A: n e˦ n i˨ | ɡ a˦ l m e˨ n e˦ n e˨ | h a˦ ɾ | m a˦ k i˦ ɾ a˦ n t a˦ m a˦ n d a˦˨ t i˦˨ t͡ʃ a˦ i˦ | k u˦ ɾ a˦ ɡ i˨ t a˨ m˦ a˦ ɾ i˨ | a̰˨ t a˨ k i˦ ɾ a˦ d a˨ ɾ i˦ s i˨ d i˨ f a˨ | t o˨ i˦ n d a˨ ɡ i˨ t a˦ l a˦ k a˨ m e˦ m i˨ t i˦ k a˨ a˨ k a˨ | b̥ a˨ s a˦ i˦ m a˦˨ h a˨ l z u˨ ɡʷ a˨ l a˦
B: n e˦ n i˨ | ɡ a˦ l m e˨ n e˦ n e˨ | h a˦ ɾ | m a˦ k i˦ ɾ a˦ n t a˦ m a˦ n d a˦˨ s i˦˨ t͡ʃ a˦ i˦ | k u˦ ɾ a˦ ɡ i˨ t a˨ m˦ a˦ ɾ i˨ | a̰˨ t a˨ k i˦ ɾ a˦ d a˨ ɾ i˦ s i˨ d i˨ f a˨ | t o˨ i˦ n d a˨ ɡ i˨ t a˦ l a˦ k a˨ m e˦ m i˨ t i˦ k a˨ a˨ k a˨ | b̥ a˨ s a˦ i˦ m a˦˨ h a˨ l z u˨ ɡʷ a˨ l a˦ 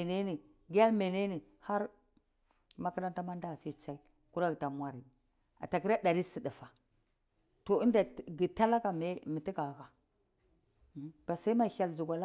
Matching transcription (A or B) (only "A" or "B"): B